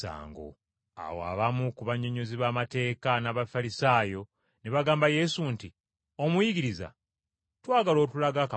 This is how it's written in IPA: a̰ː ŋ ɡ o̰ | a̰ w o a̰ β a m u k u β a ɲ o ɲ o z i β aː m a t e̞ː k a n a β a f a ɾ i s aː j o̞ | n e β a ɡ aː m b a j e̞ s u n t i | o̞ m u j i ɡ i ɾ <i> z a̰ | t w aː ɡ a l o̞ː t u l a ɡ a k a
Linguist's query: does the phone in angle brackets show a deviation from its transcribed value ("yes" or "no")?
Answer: no